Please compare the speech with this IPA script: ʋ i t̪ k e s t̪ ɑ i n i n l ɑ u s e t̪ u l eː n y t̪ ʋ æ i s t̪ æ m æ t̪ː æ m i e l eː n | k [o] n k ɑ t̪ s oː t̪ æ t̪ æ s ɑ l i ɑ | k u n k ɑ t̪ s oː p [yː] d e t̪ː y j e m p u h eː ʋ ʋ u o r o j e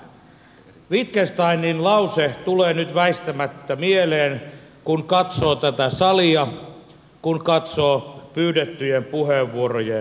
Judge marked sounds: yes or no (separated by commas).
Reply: no, yes